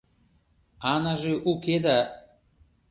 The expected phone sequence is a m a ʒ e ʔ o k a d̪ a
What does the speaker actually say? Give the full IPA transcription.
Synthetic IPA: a n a ʒ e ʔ u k e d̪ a